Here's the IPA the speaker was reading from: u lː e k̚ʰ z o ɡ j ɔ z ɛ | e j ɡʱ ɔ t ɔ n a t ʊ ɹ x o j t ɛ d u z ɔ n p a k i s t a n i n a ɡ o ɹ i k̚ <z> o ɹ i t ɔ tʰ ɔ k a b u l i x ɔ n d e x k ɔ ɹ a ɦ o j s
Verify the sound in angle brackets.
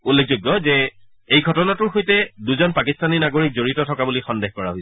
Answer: correct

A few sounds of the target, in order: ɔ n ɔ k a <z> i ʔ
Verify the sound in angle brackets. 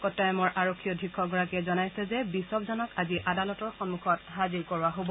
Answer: correct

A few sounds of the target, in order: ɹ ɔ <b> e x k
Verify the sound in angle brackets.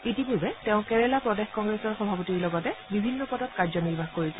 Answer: incorrect: d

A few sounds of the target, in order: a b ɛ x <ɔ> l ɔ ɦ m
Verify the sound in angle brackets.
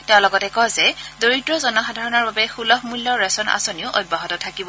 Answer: incorrect: u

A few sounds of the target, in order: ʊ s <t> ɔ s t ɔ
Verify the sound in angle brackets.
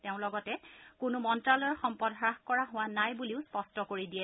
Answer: incorrect: p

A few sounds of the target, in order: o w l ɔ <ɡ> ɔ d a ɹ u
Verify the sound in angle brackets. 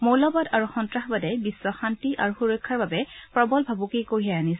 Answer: incorrect: b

